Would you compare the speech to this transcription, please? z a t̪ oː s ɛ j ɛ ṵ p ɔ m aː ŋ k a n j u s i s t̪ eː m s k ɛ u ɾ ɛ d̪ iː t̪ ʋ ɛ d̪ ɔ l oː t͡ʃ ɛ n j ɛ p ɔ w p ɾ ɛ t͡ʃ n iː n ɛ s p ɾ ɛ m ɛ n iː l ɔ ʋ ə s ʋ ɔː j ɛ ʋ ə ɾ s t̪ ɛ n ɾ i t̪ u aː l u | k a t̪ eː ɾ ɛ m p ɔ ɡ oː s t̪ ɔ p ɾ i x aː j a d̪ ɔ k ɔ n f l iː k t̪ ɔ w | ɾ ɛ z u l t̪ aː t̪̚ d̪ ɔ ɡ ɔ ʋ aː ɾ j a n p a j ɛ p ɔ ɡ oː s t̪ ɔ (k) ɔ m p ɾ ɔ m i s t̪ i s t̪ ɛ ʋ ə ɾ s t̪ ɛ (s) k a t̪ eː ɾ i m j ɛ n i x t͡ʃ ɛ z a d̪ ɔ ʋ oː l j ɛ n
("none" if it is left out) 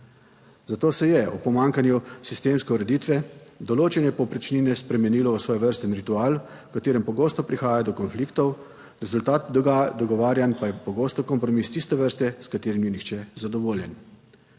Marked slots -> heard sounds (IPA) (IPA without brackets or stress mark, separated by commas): k, s